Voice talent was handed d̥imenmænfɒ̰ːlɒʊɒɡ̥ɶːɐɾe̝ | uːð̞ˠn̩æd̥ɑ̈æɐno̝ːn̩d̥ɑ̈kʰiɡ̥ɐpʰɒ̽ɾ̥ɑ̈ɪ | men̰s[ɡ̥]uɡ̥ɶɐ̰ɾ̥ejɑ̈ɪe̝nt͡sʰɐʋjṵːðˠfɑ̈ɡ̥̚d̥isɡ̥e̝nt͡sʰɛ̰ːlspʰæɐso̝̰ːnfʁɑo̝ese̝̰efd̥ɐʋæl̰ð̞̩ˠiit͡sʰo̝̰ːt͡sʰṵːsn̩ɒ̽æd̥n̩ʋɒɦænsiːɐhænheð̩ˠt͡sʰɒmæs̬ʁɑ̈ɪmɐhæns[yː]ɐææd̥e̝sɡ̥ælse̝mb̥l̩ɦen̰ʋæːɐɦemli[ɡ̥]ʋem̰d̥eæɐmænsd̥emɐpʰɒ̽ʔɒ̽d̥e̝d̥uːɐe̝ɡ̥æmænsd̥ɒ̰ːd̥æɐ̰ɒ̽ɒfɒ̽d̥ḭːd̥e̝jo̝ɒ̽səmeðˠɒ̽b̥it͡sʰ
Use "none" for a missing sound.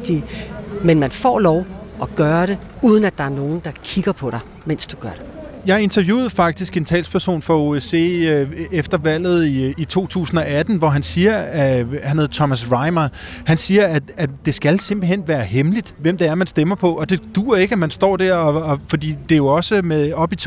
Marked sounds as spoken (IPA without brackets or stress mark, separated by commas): d̥, iː, d̥